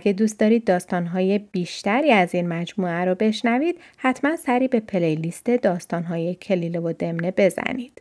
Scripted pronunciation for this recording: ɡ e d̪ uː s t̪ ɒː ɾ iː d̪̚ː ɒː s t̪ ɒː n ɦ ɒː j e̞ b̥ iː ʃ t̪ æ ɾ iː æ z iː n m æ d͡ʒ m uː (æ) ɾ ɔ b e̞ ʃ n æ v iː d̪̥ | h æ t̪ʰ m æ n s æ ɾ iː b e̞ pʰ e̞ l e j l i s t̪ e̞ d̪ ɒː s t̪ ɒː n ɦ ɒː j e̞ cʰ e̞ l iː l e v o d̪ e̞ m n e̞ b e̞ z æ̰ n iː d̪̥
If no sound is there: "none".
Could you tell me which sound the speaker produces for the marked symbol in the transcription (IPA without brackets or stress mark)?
æ